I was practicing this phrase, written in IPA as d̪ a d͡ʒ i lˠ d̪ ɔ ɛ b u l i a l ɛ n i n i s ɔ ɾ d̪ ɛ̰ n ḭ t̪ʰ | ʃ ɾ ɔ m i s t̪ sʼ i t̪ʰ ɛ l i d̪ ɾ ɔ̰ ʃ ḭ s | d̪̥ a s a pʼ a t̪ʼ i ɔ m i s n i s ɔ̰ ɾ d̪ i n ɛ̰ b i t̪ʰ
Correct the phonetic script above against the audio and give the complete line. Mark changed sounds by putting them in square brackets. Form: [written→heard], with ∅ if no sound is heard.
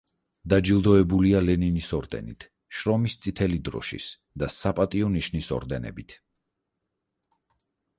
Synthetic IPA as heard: d̪ a d͡ʒ i lˠ d̪ ɔ ɛ b u l i a l ɛ n i n i s ɔ ɾ d̪ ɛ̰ n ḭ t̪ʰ | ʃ ɾ ɔ m i s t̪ sʼ i t̪ʰ ɛ l i d̪ ɾ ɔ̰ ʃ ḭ s | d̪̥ a s a pʼ a t̪ʼ i ɔ [m→n] i [s→ʃ] n i s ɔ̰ ɾ d̪ [i→ɛ] n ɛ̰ b i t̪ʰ